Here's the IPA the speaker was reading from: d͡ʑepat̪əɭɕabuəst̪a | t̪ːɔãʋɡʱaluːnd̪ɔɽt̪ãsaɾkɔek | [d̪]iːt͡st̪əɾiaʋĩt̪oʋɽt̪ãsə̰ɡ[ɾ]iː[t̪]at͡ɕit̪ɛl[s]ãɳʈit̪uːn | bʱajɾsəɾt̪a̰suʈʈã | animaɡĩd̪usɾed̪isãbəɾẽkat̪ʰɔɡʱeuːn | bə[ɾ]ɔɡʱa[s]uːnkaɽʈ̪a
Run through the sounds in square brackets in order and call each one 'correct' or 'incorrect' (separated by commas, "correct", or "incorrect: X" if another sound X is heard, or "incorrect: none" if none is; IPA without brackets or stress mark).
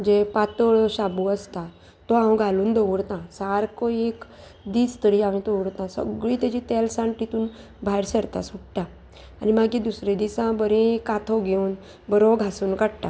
correct, incorrect: ɭ, correct, correct, correct, correct